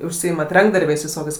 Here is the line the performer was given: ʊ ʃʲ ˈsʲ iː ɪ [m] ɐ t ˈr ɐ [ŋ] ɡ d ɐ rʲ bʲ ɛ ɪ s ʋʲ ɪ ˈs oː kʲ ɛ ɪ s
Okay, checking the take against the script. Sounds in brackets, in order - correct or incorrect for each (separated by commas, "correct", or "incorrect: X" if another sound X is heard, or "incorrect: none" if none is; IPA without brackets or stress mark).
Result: correct, correct